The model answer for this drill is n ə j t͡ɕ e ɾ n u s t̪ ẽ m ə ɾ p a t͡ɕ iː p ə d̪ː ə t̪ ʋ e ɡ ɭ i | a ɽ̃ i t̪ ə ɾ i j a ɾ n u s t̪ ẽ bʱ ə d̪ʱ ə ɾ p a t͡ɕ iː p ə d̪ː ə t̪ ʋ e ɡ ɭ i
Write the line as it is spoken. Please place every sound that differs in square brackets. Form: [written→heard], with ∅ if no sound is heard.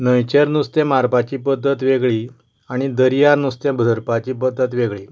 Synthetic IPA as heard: n ə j t͡ɕ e ɾ n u s t̪ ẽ m [ə→a] ɾ p a t͡ɕ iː p ə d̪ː ə t̪ ʋ e ɡ ɭ i | a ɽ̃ i [t̪→d̪] ə ɾ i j a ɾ n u s t̪ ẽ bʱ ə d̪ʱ ə ɾ p a t͡ɕ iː p ə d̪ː ə t̪ ʋ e ɡ ɭ i

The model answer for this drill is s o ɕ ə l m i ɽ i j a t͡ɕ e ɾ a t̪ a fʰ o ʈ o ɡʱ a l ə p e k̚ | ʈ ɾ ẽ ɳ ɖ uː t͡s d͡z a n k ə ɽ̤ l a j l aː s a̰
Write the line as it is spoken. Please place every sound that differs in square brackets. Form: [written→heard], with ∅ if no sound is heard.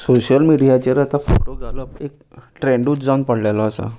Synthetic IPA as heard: s o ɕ ə l m i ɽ i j a t͡ɕ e ɾ a t̪ a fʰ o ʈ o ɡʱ a l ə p e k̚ | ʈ ɾ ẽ ɳ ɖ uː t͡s d͡z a n [k→p] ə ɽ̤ l a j l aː s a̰

